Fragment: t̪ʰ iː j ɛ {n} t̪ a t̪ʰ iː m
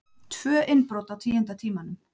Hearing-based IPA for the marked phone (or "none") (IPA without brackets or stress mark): n